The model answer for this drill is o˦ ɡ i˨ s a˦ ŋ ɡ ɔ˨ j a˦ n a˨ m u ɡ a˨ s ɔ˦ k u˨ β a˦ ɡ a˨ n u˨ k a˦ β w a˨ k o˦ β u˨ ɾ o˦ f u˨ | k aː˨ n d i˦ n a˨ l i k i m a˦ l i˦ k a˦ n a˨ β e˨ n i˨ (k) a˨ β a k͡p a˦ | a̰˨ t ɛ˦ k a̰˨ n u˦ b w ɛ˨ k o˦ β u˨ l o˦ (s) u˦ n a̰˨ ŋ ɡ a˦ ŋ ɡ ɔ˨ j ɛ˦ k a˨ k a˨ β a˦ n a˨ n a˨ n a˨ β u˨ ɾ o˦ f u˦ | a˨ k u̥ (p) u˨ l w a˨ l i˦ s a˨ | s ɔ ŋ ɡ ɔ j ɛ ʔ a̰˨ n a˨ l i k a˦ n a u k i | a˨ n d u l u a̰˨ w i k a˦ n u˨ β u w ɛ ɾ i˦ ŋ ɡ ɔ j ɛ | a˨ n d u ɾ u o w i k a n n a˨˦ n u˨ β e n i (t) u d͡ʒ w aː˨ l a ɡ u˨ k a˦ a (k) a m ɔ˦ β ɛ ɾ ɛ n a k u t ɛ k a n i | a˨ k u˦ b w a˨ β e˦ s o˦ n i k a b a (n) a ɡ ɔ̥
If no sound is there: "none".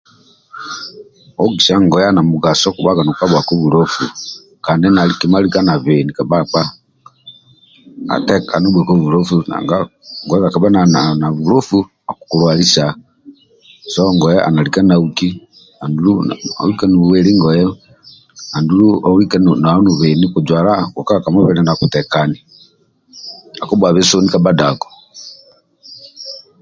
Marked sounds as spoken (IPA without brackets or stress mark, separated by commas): k, f, k, k, k, d